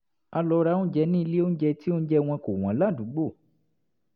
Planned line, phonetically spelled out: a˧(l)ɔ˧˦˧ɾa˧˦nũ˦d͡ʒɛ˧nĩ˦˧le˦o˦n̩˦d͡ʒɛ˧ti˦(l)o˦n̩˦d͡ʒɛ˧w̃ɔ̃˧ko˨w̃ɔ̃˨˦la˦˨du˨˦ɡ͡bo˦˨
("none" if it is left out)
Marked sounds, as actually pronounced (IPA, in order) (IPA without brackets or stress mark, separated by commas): l, none